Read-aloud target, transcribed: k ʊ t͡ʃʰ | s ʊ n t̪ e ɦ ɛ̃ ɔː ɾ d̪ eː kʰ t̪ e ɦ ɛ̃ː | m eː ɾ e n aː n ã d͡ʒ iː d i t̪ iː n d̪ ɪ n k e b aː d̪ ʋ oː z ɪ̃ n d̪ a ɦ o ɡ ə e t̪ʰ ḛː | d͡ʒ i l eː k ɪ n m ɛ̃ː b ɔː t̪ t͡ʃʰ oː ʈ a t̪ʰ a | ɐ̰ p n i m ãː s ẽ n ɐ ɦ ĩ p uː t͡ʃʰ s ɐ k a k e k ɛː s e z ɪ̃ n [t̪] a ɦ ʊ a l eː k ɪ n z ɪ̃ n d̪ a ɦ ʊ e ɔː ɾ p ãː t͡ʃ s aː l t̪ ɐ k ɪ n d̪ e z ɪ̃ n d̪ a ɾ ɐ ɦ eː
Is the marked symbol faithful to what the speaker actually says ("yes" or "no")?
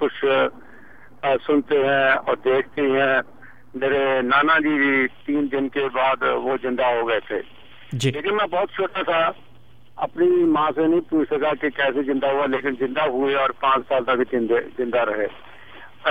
no